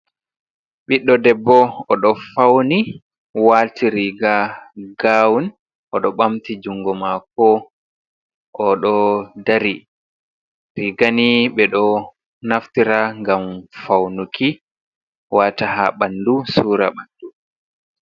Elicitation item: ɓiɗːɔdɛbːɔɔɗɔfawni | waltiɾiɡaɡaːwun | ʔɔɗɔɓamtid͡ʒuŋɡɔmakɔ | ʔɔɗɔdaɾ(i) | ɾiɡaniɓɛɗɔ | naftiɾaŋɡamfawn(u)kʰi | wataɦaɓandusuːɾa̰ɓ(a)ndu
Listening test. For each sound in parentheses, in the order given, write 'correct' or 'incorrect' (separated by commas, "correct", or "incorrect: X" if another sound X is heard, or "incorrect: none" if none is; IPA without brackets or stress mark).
correct, correct, correct